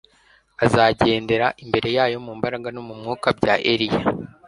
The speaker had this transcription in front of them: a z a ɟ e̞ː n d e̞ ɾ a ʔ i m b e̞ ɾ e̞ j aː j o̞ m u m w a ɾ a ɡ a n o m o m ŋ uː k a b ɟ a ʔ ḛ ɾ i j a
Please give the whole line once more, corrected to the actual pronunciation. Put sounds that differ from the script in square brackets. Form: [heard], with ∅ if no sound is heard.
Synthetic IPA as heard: a z a ɟ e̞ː n d e̞ ɾ a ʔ i m b e̞ ɾ e̞ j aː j o̞ m u m [b] a ɾ a ɡ a n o m [u] m ŋ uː k a b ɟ a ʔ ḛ ɾ i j a